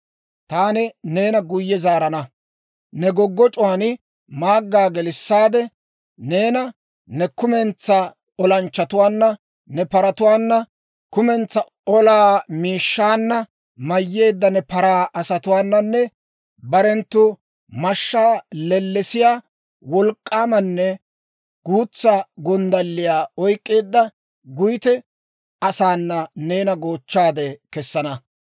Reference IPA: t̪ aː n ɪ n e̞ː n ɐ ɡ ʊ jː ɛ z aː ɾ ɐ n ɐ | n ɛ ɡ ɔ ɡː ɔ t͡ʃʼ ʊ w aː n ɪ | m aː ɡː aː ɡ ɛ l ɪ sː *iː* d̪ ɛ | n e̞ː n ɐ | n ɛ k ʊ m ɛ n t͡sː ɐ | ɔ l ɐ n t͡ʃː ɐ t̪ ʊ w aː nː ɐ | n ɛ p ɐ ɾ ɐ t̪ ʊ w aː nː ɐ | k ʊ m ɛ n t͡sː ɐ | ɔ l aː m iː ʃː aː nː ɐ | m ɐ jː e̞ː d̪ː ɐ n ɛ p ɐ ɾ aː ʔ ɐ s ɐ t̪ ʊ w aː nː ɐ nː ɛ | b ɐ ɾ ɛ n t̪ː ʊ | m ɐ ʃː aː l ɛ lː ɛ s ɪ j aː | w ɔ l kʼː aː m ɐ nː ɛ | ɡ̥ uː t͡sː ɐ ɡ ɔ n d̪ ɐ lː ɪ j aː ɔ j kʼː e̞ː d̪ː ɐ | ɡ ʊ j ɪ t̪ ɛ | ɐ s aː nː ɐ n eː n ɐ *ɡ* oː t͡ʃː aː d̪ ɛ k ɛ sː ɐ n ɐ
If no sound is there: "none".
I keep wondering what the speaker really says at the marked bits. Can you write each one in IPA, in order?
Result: aː, ɡ

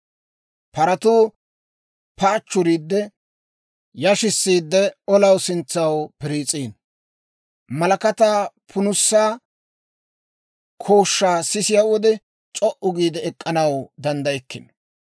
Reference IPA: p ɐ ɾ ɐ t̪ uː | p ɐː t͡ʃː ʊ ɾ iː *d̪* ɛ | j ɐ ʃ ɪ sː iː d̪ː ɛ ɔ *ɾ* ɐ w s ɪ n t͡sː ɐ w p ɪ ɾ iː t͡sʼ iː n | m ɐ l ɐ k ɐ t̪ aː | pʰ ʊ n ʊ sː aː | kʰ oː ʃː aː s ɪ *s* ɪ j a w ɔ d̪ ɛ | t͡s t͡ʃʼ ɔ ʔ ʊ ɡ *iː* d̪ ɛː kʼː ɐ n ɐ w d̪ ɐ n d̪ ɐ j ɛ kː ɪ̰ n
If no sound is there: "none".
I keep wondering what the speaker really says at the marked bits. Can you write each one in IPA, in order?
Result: d̪ː, l, s, iː

